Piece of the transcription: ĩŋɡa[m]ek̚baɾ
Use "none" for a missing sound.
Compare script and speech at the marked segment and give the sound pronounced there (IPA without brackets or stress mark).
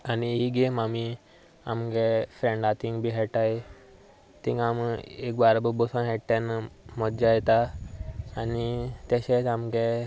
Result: m